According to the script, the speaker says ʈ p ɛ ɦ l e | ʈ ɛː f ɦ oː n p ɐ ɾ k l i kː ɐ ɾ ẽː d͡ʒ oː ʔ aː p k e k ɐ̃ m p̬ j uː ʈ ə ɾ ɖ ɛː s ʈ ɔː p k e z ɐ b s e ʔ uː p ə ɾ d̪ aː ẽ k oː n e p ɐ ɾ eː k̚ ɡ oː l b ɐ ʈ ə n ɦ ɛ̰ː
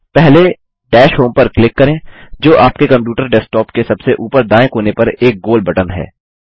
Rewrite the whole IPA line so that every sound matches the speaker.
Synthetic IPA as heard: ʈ p ɛ ɦ l e | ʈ ɛː ʃ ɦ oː m p ɐ ɾ k l ɪ kː ɐ ɾ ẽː d͡ʒ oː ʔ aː p k e k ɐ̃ m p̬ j uː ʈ ə ɾ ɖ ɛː s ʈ ɔː p k e s ɐ b s e ʔ uː p ə ɾ d̪ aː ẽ k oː n e p ɐ ɾ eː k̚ ɡ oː l b ɐ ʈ ə n ɦ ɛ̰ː